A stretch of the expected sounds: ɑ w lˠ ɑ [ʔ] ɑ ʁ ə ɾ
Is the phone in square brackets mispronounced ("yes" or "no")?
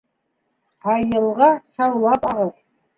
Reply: yes